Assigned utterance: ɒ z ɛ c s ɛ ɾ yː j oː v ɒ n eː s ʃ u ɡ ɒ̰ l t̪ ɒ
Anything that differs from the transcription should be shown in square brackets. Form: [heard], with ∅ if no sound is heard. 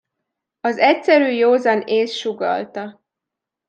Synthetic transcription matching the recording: ɒ z ɛ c s ɛ ɾ yː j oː [z] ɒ n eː s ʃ u ɡ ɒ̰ l t̪ ɒ